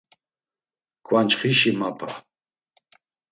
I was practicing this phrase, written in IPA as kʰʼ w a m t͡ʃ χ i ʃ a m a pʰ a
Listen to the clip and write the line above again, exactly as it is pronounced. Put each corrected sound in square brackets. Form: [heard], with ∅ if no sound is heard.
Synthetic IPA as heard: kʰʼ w a [n] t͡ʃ χ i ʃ [i] m a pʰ a

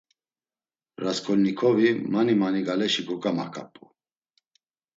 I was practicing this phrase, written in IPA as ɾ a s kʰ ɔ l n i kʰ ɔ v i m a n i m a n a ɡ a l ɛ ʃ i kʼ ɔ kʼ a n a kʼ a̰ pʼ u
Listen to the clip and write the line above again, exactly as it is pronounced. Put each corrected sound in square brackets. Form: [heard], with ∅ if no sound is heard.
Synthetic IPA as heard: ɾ a s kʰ ɔ l n i kʰ ɔ v i m a n i m a n [i] ɡ a l ɛ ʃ i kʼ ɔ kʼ a [m] a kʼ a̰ pʼ u

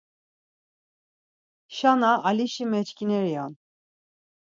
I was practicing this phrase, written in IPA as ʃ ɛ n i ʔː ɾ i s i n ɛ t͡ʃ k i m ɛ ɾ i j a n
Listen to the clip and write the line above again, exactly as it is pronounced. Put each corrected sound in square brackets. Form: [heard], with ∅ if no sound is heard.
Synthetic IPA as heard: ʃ [a] n [a] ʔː [l] i [ʃ] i [m] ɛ t͡ʃ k i [n] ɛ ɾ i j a n

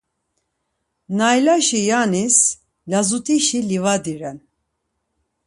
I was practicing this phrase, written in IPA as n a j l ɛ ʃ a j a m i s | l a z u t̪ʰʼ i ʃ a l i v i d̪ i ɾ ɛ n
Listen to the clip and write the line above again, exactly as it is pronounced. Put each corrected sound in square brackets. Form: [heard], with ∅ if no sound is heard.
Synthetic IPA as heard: n a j l [a] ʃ [i] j a [n] i s | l a z u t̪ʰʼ i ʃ [i] l i v [a] d̪ i ɾ ɛ n

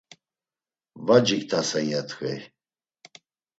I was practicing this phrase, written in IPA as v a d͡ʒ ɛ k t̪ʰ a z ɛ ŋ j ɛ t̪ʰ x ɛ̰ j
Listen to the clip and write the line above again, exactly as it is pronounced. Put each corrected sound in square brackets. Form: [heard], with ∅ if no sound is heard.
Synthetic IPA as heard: v a d͡ʒ [i] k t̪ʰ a [s] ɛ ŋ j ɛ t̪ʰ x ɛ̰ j

